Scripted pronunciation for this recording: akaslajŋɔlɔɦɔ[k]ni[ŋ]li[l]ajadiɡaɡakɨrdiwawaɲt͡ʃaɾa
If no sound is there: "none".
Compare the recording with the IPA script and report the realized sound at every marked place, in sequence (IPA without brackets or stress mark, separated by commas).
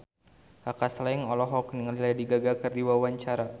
k, ŋ, l